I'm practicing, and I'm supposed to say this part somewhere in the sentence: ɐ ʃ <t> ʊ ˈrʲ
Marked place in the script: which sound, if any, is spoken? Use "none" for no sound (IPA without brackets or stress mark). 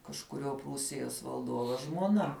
k